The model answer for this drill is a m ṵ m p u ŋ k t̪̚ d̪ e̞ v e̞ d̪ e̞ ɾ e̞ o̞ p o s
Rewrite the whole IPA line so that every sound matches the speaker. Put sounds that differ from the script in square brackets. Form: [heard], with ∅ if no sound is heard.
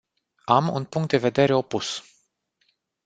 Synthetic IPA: a m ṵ [n] p u ŋ k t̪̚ d̪ e̞ v e̞ d̪ e̞ ɾ e̞ o̞ p [u] s